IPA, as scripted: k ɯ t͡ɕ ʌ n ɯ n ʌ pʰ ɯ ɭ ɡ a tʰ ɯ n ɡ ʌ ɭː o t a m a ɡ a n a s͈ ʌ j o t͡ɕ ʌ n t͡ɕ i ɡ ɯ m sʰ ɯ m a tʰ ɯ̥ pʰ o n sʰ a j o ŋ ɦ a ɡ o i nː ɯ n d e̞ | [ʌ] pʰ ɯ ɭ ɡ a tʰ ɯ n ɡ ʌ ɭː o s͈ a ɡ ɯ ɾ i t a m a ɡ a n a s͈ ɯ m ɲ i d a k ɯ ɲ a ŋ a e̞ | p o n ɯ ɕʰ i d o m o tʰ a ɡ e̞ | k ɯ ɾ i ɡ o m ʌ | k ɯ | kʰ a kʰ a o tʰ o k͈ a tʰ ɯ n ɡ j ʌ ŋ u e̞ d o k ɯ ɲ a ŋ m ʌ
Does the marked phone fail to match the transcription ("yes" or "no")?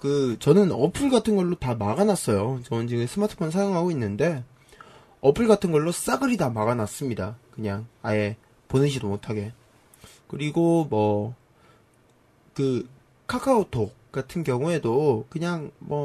no